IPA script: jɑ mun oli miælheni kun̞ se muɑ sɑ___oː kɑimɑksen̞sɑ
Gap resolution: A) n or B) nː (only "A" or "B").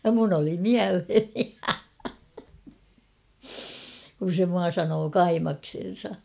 A